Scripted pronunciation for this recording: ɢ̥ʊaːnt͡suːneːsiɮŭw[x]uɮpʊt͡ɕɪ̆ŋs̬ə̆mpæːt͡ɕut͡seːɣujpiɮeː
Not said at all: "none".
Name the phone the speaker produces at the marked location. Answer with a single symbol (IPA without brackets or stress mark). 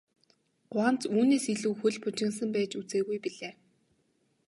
x